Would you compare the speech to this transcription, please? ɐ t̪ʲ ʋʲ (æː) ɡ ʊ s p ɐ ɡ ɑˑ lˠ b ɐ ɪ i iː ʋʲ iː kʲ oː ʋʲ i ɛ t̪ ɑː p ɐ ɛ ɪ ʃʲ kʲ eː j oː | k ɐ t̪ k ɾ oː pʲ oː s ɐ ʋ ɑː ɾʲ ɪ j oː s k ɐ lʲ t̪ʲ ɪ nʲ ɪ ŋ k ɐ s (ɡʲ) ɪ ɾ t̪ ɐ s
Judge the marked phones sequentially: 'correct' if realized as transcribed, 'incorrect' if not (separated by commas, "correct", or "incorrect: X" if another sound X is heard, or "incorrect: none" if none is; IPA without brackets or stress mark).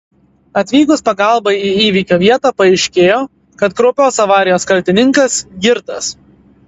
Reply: incorrect: iː, correct